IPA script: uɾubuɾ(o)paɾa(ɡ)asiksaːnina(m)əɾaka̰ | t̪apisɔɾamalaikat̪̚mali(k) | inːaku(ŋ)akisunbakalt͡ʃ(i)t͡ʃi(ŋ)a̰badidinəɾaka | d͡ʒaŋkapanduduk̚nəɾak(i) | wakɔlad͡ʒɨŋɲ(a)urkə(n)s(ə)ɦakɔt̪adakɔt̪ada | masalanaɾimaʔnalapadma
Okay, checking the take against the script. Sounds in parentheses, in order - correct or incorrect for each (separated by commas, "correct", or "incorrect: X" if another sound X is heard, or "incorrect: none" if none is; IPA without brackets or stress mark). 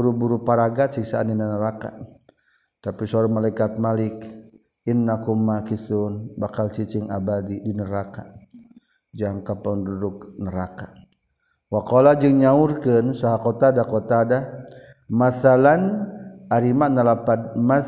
incorrect: u, correct, incorrect: n, correct, incorrect: m, correct, correct, incorrect: a, correct, correct, incorrect: a